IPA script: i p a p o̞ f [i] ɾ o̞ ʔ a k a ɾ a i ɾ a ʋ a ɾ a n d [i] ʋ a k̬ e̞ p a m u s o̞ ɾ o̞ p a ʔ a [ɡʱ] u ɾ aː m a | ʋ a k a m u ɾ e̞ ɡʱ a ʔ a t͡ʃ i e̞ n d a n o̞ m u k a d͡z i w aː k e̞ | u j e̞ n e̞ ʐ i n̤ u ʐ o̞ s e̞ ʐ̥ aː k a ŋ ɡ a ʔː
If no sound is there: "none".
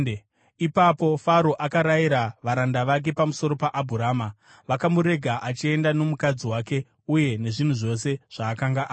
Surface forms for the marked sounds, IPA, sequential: a, a, bʱ

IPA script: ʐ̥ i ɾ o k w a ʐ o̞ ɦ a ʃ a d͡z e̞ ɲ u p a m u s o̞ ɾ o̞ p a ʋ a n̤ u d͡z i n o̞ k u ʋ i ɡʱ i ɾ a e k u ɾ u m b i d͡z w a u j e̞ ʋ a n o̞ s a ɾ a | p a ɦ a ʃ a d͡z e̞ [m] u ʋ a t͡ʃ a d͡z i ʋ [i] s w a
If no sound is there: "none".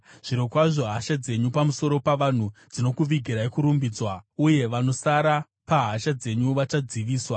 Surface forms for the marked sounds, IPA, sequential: ɲ, iː

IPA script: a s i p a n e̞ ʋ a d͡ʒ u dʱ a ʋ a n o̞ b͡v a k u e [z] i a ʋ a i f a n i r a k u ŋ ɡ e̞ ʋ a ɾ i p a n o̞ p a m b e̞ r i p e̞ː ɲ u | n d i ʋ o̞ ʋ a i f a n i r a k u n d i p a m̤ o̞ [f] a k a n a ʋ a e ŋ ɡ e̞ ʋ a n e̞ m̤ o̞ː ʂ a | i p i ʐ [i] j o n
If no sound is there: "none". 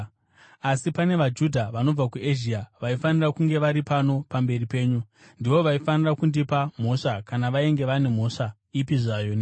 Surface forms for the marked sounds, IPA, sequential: ʒ, ʂ, a

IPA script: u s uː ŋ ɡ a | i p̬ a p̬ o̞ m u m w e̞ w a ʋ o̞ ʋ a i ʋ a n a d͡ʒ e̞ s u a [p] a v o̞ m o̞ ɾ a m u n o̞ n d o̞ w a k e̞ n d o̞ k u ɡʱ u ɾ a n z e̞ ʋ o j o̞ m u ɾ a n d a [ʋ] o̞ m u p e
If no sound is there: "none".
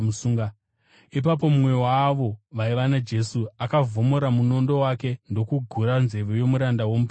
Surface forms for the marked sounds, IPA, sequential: k, w

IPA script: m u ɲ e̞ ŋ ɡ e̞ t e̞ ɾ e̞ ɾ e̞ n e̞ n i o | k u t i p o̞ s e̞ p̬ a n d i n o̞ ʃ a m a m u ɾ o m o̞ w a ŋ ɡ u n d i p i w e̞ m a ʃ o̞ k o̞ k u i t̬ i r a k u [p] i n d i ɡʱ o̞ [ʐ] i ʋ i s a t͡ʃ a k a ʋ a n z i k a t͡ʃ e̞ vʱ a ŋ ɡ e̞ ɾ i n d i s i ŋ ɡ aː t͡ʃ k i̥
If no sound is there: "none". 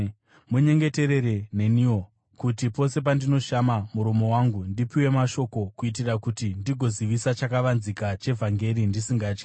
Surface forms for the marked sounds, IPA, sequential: t, z

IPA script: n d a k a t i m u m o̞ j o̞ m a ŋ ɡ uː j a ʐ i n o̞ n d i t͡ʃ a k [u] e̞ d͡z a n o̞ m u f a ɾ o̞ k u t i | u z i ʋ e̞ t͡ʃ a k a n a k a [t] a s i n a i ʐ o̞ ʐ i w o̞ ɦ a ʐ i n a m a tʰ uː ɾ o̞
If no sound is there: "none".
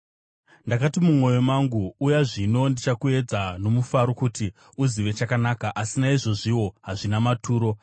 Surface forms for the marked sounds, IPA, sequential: u, ʔ

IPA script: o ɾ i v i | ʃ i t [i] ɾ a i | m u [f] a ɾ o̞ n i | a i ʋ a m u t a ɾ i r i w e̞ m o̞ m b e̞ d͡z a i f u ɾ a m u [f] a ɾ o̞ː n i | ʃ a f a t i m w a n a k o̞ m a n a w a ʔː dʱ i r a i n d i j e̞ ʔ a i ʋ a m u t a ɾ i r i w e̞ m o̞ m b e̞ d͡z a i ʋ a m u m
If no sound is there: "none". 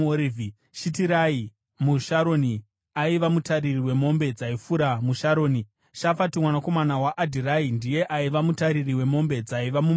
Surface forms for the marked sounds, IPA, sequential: i, ʃ, ʃ

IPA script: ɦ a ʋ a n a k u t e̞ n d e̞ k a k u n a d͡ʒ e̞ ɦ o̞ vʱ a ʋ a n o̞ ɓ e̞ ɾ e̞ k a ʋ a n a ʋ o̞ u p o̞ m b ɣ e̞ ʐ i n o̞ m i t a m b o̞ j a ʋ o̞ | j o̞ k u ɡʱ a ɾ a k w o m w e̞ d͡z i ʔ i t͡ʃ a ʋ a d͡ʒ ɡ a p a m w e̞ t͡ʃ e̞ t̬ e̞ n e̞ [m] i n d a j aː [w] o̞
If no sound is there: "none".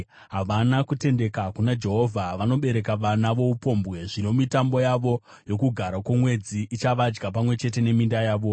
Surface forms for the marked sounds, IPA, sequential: m, ʋ

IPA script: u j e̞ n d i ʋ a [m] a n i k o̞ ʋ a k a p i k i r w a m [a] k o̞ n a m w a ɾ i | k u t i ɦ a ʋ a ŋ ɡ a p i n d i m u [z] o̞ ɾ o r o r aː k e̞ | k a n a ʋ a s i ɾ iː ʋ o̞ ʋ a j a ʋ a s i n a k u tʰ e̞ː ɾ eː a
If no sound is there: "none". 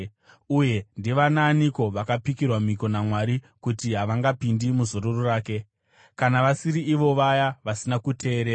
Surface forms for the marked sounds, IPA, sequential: n, i, z

